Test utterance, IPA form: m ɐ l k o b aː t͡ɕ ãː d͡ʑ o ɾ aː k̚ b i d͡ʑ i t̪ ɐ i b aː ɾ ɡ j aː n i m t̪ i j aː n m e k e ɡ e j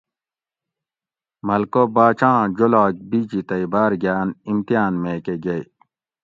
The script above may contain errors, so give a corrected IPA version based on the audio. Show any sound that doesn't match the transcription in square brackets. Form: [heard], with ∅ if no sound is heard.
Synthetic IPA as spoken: m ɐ l k o b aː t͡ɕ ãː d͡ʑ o [l] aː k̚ b i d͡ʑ i t̪ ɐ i b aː ɾ ɡ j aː n i m t̪ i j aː n m e k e ɡ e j